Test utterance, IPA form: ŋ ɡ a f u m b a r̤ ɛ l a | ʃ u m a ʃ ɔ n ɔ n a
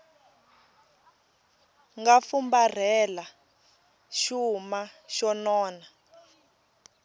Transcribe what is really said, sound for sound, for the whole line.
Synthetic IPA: ŋ ɡ a f u m b a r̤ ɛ l a | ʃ u m a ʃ ɔ n ɔː n a